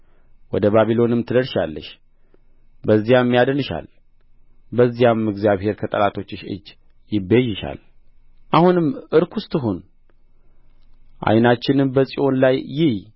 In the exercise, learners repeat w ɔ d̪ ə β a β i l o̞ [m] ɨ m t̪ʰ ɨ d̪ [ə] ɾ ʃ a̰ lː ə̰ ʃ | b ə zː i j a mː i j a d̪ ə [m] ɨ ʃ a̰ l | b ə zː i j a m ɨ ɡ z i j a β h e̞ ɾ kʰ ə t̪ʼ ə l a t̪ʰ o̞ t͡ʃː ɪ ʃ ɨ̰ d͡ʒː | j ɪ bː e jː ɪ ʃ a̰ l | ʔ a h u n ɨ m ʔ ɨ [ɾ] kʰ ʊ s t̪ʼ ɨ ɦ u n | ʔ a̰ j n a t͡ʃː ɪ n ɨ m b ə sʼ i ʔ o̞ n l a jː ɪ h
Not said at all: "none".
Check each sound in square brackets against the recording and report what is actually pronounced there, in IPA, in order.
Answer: n, ə, n, ɾ

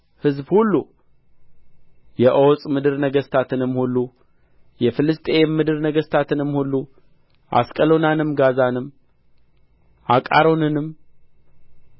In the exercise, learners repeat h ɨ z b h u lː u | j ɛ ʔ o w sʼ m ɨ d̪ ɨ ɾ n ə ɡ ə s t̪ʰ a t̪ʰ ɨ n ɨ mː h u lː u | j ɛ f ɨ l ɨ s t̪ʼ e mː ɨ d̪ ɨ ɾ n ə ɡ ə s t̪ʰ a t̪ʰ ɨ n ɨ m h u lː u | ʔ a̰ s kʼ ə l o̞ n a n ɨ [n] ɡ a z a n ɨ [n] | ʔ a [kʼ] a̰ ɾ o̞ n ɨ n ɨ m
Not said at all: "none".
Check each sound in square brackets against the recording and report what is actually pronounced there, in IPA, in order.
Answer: m, m, kʼ

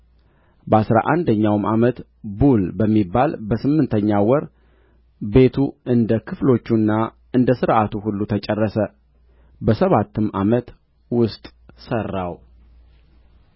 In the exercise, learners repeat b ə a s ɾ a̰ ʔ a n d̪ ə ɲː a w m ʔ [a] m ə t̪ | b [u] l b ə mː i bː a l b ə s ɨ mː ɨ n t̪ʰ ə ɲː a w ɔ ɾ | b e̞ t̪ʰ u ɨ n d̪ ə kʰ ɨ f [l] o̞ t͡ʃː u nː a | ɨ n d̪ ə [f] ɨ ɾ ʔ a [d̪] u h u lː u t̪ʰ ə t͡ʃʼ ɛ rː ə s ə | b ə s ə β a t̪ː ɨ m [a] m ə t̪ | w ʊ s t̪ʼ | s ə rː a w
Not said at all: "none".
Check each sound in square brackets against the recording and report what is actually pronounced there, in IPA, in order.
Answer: a, u, l, s, t̪, a

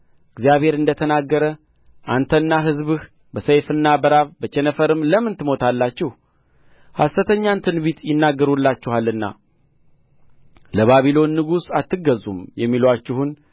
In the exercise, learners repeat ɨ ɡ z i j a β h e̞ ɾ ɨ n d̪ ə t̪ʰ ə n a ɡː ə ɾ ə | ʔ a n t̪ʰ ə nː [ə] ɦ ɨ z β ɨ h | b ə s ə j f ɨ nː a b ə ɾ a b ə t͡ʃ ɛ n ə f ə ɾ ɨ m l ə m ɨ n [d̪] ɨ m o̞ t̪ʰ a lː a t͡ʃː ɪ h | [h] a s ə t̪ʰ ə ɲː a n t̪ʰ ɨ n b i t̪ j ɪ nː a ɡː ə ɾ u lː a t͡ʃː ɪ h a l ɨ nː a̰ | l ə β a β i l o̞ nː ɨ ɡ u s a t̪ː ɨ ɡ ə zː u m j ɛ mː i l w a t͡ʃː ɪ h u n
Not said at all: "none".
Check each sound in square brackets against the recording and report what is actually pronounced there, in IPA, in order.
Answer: a, t̪, h

